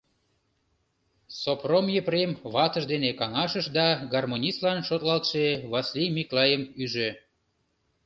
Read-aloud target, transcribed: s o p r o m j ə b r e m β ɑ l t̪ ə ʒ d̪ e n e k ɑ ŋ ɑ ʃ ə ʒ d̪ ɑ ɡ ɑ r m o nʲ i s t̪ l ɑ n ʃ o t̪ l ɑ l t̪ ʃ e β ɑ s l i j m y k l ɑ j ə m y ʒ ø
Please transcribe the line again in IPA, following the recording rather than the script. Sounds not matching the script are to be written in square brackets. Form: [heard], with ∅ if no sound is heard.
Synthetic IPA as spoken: s o p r o m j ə [p] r e m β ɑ [∅] t̪ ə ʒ d̪ e n e k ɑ ŋ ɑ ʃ ə [ʃ] d̪ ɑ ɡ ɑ r m o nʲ i s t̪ l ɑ n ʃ o t̪ l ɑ l t̪ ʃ e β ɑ s l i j m [i] k l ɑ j ə m y ʒ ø